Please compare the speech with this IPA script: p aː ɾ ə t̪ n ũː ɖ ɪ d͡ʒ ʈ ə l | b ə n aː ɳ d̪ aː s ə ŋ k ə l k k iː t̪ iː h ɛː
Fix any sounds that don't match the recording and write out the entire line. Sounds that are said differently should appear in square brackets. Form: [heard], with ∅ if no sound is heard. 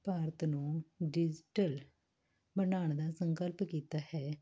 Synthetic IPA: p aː ɾ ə t̪ n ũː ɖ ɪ d͡ʒ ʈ ə l | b ə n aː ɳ d̪ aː s ə ŋ k ə l [p] k iː t̪ [aː] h ɛː

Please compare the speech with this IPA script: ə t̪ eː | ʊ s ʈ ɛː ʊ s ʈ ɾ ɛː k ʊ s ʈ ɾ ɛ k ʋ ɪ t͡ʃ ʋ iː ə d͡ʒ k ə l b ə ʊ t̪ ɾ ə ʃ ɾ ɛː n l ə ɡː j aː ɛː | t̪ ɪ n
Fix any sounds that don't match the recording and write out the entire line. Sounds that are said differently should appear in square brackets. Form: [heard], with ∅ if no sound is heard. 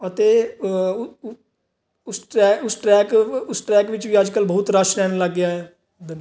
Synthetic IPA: ə t̪ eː | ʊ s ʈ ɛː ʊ s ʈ ɾ ɛː k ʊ s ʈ ɾ [ɛː] k ʋ ɪ t͡ʃ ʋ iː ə d͡ʒ k ə l b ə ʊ t̪ ɾ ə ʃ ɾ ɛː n l ə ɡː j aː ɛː | [d̪] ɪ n

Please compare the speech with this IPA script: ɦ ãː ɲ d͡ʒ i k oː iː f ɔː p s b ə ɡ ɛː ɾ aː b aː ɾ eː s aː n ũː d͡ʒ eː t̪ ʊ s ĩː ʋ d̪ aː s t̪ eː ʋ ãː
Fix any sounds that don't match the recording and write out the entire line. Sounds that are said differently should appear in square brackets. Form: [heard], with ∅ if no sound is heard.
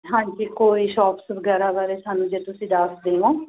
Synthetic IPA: ɦ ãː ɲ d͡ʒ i k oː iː [ʃ] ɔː p s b ə ɡ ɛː ɾ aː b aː ɾ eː s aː n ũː d͡ʒ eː t̪ ʊ s ĩː [∅] d̪ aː s [d̪] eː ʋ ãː

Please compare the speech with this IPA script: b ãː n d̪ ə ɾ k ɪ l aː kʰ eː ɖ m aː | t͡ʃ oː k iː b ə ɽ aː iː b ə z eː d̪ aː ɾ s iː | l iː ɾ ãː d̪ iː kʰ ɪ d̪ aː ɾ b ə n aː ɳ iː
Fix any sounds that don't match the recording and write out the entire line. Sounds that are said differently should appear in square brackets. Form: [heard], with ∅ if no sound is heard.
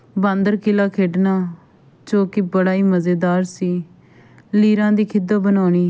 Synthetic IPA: b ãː n d̪ ə ɾ k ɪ l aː kʰ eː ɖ [n] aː | t͡ʃ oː k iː b ə ɽ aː iː [m] ə z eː d̪ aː ɾ s iː | l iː ɾ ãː d̪ iː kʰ ɪ d̪ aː [∅] b ə n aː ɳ iː

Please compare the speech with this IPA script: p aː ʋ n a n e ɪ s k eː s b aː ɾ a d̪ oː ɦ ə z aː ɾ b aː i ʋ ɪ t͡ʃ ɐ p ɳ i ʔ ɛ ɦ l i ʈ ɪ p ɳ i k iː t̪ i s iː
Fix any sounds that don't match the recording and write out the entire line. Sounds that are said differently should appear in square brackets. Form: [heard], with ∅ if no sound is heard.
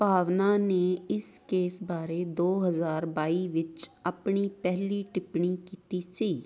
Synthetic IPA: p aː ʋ n a n e ɪ s k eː s b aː ɾ [e] d̪ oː ɦ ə z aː ɾ b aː i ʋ ɪ t͡ʃ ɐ p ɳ i [p] ɛ ɦ l i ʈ ɪ p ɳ i k iː t̪ i s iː

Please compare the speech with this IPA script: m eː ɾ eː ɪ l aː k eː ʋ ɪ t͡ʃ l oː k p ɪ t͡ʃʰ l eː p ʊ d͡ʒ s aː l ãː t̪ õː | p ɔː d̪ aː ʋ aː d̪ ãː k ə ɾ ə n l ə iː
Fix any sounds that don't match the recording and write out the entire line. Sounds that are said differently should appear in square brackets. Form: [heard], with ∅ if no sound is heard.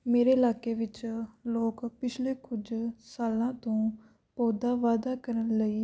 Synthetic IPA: m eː ɾ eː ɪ l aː k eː ʋ ɪ t͡ʃ l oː k p ɪ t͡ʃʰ l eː [k] ʊ d͡ʒ s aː l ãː t̪ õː | p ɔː d̪ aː ʋ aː d̪ [aː] k ə ɾ ə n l ə iː

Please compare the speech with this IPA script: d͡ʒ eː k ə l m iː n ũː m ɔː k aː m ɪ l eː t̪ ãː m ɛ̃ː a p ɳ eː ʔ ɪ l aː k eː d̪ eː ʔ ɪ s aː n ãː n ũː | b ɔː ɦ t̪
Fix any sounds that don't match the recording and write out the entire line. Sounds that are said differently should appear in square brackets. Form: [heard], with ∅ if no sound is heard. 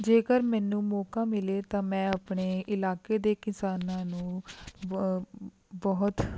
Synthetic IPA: d͡ʒ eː k ə [ɾ] m [ɛː] n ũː m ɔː k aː m ɪ l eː t̪ ãː m ɛ̃ː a p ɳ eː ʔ ɪ l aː k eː d̪ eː [k] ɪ s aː n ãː n ũː | b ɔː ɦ t̪

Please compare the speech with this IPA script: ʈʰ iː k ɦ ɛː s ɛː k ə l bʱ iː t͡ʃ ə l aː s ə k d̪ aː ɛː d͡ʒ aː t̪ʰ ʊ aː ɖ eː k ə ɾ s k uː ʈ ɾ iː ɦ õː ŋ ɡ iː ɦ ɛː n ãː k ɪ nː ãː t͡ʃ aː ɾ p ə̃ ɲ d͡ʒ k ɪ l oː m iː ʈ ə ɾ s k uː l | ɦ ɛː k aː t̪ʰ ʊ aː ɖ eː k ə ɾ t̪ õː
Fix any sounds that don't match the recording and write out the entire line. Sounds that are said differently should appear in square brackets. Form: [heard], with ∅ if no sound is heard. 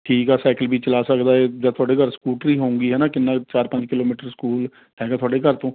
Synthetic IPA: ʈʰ iː k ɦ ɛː s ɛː k ə l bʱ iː t͡ʃ ə l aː s ə k d̪ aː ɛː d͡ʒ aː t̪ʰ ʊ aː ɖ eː k ə ɾ s k uː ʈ ɾ iː ɦ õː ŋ ɡ iː ɦ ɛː n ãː k ɪ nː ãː t͡ʃ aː ɾ p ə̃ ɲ d͡ʒ k ɪ l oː m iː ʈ ə ɾ s k uː l | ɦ ɛː [ɡ] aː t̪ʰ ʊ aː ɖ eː k ə ɾ t̪ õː

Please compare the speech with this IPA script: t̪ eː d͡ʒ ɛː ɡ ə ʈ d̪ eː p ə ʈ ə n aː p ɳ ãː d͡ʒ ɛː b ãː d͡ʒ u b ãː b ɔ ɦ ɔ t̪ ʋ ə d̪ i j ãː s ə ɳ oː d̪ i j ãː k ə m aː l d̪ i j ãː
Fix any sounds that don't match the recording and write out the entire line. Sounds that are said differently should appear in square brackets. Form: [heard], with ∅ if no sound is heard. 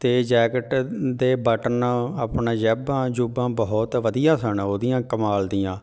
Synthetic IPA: t̪ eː d͡ʒ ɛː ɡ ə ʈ d̪ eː [b] ə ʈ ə n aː p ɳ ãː d͡ʒ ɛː b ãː d͡ʒ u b ãː b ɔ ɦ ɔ t̪ ʋ ə d̪ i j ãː s ə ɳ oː d̪ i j ãː k ə m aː l d̪ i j ãː

